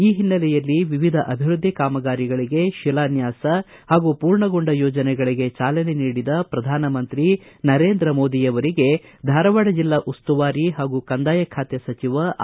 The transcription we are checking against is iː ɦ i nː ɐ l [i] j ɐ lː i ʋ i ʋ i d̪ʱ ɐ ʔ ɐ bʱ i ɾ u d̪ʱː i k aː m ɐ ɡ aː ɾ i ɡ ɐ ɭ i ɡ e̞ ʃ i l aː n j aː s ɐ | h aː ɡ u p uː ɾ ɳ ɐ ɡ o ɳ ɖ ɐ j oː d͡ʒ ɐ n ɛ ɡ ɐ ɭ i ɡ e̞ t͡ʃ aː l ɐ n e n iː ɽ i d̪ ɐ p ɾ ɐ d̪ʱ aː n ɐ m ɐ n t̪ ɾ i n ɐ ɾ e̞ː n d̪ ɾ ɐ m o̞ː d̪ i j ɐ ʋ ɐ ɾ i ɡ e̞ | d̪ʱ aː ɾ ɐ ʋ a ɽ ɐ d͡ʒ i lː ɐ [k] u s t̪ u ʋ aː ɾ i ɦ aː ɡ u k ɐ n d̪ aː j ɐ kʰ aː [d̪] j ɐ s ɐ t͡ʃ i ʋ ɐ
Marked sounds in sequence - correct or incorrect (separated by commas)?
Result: incorrect, incorrect, incorrect